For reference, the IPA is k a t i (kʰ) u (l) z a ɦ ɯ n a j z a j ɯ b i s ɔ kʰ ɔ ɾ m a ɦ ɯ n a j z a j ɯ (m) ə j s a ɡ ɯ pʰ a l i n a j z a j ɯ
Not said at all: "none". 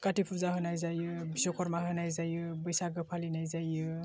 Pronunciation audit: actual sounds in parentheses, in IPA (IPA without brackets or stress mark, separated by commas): pʰ, ɾ, b